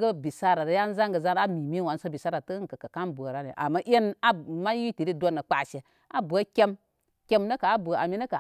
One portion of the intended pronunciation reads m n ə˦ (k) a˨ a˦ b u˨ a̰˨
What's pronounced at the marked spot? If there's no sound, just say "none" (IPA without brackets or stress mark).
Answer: k